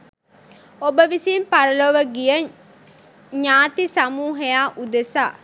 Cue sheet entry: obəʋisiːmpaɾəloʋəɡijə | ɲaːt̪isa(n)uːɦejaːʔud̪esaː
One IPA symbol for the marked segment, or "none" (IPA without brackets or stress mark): m